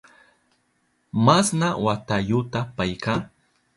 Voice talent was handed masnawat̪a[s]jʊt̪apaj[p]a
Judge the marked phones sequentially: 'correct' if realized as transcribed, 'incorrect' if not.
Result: incorrect, incorrect

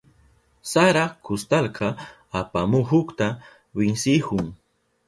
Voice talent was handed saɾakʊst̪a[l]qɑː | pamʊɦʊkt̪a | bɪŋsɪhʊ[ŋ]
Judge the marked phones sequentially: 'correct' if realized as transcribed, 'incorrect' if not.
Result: correct, correct

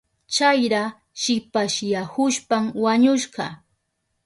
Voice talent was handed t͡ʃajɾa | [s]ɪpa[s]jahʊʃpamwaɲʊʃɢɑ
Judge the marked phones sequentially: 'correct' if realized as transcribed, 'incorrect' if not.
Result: incorrect, incorrect

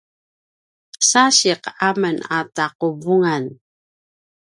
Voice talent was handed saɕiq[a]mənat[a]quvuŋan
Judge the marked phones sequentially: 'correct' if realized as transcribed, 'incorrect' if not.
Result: correct, correct

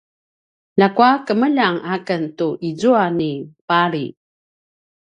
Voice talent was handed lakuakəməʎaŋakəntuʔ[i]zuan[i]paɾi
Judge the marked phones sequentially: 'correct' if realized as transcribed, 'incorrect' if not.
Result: correct, correct

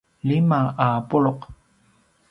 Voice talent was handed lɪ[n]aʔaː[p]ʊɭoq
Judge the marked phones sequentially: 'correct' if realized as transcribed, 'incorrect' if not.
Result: incorrect, correct

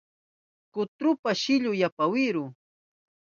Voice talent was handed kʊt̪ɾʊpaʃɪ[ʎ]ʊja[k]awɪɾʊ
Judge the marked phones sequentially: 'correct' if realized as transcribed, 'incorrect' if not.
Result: correct, incorrect

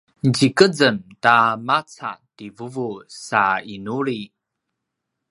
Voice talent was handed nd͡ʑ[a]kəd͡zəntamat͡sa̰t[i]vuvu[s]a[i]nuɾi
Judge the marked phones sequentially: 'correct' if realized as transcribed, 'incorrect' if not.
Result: incorrect, correct, correct, correct

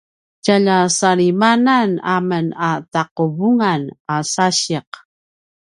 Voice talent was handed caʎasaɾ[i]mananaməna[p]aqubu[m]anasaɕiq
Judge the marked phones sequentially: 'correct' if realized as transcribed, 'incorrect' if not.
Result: correct, incorrect, incorrect

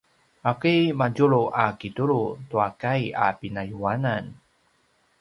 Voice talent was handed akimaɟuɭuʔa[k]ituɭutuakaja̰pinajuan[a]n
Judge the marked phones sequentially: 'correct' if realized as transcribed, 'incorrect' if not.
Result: correct, correct

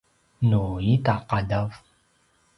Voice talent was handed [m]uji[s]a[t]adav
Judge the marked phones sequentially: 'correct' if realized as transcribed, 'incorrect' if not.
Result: incorrect, incorrect, incorrect

